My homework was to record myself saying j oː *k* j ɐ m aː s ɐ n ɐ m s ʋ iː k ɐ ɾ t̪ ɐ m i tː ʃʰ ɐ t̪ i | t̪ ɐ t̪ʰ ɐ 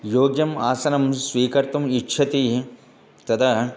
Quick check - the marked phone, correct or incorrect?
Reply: incorrect